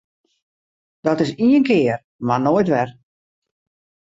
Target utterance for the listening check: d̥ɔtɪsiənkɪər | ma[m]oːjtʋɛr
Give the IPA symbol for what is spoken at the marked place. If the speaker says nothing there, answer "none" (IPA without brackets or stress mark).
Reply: n